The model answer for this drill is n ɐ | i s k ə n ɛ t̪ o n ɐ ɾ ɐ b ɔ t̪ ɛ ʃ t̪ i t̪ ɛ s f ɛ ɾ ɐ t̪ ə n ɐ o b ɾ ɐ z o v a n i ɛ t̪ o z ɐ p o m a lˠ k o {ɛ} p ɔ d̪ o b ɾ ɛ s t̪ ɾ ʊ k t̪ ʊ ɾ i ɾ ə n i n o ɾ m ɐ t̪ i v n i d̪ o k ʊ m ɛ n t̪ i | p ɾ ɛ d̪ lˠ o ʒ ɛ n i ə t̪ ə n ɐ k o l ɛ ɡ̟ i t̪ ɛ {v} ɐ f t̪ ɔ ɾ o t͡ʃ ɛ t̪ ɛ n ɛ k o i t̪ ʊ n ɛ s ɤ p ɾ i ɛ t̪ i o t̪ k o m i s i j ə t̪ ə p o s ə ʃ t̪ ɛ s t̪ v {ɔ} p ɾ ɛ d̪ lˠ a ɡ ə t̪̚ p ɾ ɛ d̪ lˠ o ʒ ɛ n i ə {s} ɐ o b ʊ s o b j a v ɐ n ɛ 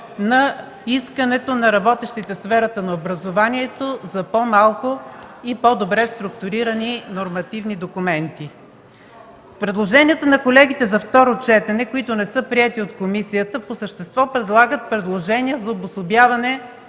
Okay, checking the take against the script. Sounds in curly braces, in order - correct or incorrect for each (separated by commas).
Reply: incorrect, incorrect, correct, incorrect